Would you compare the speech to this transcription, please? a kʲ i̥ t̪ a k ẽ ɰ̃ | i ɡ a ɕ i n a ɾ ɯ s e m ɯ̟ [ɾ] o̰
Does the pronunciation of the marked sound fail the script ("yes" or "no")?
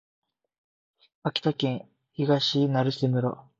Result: no